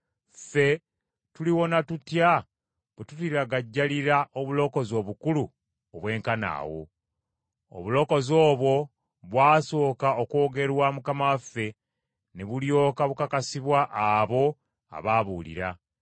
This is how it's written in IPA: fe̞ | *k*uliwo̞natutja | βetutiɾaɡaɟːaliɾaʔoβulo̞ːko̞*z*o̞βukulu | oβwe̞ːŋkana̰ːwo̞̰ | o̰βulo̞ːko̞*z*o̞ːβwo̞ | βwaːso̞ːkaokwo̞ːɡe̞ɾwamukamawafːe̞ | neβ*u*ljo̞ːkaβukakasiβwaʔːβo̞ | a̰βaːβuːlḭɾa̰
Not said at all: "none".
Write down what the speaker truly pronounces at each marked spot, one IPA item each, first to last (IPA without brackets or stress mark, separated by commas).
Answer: t, z, z, u